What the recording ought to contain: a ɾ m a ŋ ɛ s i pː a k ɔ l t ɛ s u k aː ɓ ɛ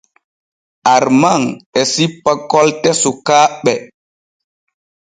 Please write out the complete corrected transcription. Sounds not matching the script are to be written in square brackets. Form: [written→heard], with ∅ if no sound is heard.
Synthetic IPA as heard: a ɾ m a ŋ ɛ s i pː a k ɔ l t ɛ s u k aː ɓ ɛ